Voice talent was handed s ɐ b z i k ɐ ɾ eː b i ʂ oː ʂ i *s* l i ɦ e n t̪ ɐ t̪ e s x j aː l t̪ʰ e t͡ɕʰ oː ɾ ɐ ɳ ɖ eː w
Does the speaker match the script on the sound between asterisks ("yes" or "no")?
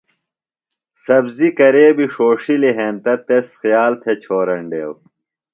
no